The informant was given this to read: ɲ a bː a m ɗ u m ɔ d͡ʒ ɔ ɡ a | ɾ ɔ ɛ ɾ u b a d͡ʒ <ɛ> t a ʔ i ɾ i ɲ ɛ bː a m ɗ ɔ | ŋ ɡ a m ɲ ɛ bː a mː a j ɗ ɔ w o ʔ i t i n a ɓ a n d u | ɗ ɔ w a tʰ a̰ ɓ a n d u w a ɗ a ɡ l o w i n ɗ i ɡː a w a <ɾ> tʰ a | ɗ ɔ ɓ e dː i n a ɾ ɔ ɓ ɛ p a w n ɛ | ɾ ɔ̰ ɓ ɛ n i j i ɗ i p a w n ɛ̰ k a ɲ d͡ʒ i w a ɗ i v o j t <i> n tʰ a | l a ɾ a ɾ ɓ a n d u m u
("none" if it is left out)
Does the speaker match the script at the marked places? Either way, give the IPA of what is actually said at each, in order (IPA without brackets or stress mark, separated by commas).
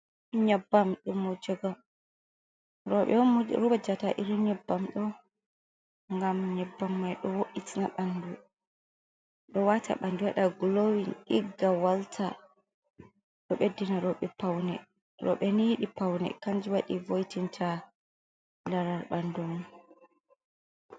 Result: a, l, i